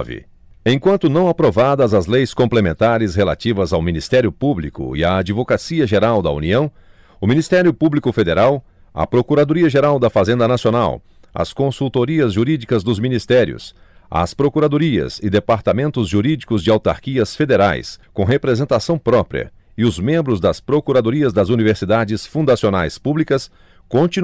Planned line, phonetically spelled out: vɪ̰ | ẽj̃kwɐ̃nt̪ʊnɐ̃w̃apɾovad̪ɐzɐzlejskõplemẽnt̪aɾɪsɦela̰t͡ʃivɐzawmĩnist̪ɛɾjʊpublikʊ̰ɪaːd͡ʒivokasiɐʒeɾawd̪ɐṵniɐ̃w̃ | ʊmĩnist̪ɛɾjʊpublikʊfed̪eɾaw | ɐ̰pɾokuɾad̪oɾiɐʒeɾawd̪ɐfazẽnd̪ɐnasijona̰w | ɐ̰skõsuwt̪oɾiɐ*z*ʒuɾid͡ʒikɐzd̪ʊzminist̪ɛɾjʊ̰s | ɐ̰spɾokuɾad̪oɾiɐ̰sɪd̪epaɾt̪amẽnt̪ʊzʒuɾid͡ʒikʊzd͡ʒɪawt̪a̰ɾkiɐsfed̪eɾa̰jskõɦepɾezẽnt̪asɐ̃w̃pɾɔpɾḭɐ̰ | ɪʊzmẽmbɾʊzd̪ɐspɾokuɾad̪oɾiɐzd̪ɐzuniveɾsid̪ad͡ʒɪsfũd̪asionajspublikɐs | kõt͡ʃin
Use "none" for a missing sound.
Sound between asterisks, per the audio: z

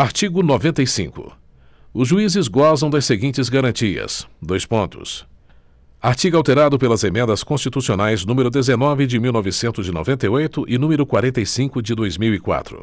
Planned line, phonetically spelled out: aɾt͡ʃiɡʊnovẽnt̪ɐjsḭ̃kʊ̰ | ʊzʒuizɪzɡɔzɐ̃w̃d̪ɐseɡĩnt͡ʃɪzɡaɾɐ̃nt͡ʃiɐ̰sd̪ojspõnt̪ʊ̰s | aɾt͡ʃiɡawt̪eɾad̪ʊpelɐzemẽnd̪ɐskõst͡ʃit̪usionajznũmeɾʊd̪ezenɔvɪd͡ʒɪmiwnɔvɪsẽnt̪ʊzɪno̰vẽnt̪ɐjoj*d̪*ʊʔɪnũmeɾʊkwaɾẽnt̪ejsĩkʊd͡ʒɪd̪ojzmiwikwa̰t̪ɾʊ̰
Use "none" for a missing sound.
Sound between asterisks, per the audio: t̪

